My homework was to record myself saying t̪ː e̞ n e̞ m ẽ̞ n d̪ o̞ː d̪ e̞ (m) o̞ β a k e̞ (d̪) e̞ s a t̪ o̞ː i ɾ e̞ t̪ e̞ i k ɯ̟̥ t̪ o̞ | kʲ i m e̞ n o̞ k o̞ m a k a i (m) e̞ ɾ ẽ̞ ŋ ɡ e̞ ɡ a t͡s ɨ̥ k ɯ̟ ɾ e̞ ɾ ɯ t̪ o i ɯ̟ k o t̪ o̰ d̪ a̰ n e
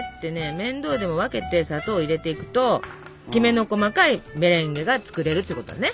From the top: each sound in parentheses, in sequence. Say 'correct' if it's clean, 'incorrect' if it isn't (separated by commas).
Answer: correct, incorrect, correct